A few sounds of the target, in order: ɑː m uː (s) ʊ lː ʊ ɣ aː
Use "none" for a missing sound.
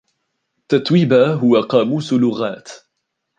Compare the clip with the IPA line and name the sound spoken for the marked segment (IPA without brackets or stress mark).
s